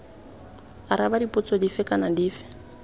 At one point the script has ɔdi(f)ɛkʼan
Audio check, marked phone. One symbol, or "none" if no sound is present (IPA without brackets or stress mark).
f